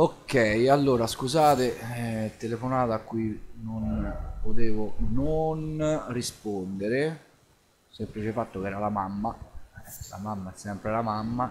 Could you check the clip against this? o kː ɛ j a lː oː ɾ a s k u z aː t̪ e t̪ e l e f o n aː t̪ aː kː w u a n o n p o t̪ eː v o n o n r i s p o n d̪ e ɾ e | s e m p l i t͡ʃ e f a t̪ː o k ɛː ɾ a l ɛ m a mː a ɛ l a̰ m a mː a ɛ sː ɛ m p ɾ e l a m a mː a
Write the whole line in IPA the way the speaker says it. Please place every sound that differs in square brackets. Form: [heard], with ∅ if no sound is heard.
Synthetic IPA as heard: o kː ɛ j a lː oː ɾ a s k u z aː t̪ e t̪ e l e f o n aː t̪ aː kː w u [i] n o n p o t̪ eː v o n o n r i s p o n d̪ e ɾ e | s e m p l i t͡ʃ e f a t̪ː o k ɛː ɾ a l [a] m a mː a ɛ l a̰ m a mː a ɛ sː ɛ m p ɾ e l a m a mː a